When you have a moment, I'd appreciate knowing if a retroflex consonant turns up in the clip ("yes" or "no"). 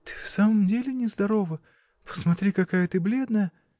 no